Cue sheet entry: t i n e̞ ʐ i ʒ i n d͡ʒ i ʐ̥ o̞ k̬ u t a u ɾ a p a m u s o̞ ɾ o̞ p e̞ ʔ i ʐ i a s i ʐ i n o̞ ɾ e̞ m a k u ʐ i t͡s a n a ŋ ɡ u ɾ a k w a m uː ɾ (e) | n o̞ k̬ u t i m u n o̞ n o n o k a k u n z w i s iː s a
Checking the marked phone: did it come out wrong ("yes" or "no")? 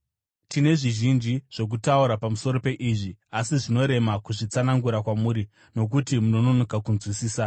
yes